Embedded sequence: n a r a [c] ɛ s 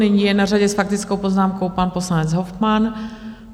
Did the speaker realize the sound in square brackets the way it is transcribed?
no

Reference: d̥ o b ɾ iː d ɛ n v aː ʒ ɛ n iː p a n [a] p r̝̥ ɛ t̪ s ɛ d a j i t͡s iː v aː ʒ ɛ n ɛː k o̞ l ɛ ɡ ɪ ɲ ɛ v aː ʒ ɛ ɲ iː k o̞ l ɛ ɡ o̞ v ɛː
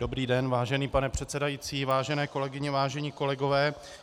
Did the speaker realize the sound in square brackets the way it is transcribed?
no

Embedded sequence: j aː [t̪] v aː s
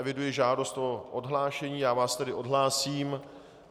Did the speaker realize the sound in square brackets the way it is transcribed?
no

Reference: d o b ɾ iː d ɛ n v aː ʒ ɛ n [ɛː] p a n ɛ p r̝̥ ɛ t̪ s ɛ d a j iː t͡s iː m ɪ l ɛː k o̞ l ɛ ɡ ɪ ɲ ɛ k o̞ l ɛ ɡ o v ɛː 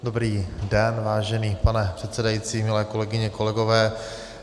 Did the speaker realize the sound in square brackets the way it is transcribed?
no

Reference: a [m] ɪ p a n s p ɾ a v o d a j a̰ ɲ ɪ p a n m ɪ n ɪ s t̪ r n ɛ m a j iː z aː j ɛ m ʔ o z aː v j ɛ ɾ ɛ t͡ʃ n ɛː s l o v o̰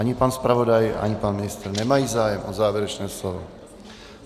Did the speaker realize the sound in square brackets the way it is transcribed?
no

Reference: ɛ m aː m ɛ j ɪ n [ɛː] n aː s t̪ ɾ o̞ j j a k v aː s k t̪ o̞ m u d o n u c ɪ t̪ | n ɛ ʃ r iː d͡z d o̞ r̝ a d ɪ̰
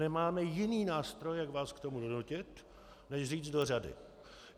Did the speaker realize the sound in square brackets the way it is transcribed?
no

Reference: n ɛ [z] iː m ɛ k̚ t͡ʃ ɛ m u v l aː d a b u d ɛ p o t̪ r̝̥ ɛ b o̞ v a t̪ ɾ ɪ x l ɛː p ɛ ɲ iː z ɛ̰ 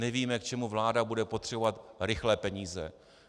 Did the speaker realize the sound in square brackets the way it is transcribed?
no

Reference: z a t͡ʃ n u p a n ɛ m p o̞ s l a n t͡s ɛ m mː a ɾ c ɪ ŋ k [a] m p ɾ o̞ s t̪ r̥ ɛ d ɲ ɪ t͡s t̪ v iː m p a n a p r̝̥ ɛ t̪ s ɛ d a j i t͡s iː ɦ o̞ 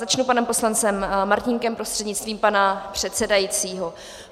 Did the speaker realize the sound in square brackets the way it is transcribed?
no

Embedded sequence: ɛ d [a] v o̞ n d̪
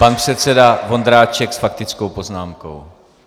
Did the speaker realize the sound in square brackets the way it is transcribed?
yes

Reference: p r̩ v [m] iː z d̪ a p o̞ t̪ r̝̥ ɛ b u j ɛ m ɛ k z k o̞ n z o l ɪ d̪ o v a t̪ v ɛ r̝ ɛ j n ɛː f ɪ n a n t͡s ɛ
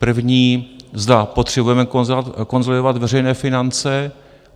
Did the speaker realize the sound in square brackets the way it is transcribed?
no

